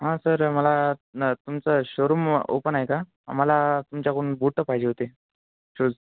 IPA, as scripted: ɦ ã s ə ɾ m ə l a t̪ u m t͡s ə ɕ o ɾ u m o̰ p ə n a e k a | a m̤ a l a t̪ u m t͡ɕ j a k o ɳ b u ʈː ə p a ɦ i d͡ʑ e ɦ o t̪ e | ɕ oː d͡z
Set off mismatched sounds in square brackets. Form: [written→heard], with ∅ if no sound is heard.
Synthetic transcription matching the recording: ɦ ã s ə ɾ m ə l a t̪ u m t͡s ə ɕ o ɾ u m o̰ p ə n a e k a | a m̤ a l a t̪ u m t͡ɕ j a k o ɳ b u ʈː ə p a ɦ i d͡ʑ e ɦ o t̪ e | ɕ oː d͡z

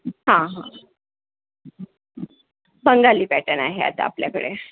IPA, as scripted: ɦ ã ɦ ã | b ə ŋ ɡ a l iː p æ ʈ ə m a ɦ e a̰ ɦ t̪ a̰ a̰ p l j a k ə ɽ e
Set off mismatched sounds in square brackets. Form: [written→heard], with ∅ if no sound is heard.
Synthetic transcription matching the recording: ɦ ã ɦ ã | b ə ŋ ɡ a l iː p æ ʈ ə [m→n] a ɦ e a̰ [ɦ→∅] t̪ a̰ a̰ p l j a k ə ɽ e

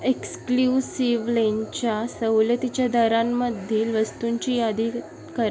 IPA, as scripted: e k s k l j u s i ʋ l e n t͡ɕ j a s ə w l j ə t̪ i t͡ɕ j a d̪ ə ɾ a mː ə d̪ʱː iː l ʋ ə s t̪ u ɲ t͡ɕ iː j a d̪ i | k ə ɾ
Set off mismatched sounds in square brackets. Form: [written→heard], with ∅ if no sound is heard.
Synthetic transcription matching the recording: e k s k l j u s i ʋ l e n t͡ɕ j a s ə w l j ə t̪ i t͡ɕ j a d̪ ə ɾ a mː ə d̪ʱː iː l ʋ ə s t̪ u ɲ t͡ɕ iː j a d̪ i | k ə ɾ

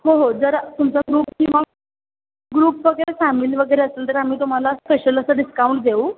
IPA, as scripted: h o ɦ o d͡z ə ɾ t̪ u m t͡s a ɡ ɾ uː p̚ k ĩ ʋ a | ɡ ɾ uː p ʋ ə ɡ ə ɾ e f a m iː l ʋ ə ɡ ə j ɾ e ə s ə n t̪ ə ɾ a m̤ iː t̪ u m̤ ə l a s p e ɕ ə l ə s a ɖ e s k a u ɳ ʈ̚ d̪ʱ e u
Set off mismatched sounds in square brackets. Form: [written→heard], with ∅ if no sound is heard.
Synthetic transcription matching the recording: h o ɦ o d͡z ə ɾ t̪ u m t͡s a ɡ ɾ uː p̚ k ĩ ʋ a | ɡ ɾ uː p ʋ ə ɡ ə ɾ e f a m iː l ʋ ə ɡ ə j ɾ e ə s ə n t̪ ə ɾ a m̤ iː t̪ u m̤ [ə→a] l a s p e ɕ ə l ə s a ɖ [e→i] s k a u ɳ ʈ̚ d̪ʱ e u

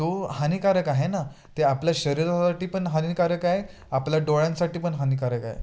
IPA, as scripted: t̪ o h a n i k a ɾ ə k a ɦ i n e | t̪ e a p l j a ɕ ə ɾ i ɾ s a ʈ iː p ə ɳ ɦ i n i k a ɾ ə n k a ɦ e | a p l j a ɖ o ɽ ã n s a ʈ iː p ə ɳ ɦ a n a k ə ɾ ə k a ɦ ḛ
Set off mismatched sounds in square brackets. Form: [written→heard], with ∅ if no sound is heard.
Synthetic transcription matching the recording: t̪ o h a n i k a ɾ ə k a ɦ [i→e] n [e→a] | t̪ e a p l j a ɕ ə ɾ i ɾ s a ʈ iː p ə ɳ ɦ [i→a] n i k a ɾ ə [n→∅] k a ɦ e | a p l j a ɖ o [ɽ→ɭ] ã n s a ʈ iː p ə ɳ ɦ a n [a→i] k [ə→a] ɾ ə k a ɦ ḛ

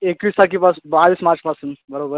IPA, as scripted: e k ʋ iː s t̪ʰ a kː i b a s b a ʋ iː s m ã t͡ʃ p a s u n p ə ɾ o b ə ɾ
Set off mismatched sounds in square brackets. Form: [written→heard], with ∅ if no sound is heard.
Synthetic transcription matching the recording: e k ʋ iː s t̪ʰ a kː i [b→p] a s b a ʋ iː s m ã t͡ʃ p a s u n [p→b] ə ɾ o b ə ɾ

